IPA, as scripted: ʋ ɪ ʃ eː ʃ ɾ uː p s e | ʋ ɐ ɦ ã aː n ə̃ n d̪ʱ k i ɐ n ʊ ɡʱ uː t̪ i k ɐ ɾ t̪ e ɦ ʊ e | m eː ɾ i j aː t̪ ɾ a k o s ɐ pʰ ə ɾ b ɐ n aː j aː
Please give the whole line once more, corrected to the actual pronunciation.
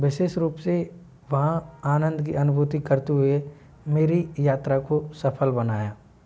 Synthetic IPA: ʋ ɪ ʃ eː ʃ ɾ uː p s e | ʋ ɐ ɦ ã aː n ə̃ n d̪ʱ k i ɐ n ʊ bʱ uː t̪ i k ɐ ɾ t̪ e ɦ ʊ e | m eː ɾ i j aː t̪ ɾ a k o s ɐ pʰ ə l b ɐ n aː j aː